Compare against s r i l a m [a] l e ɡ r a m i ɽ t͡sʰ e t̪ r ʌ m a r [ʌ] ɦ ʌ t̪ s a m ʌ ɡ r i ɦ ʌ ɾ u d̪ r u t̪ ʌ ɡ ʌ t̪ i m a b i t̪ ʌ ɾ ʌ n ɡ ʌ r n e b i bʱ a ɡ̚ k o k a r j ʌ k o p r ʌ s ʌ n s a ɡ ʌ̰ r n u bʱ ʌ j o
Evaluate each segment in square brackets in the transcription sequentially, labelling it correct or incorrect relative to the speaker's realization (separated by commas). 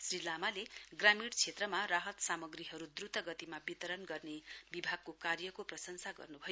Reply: correct, incorrect